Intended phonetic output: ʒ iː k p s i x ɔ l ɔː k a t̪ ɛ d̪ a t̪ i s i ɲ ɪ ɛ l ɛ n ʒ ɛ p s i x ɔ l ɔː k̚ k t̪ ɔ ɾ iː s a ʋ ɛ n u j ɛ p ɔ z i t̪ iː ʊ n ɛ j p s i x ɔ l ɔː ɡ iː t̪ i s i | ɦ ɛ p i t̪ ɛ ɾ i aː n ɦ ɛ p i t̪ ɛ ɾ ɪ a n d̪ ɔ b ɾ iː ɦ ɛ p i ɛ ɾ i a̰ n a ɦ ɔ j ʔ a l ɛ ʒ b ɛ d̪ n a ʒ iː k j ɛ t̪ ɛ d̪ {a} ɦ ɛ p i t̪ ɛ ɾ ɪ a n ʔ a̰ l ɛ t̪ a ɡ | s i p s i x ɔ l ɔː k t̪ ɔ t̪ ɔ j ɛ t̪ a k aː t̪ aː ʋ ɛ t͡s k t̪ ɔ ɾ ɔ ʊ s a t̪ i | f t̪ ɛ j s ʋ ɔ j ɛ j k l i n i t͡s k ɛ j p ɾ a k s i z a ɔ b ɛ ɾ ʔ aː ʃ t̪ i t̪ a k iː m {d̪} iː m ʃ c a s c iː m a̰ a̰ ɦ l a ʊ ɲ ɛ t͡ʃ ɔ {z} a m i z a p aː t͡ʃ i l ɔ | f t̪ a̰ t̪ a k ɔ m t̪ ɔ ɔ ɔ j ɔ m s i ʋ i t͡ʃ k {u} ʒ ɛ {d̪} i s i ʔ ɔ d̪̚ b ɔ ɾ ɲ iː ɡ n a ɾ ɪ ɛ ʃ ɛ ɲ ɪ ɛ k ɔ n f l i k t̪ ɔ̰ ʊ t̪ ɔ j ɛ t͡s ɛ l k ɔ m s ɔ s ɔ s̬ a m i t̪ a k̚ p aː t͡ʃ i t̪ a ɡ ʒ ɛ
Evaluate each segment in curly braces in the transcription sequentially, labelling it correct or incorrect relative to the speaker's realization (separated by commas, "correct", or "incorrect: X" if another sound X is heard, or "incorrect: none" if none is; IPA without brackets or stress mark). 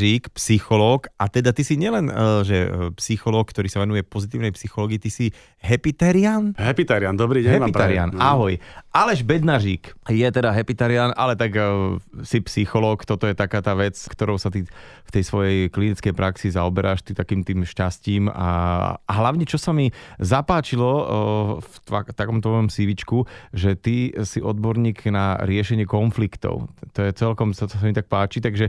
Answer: correct, incorrect: t̪, incorrect: s, correct, incorrect: t̪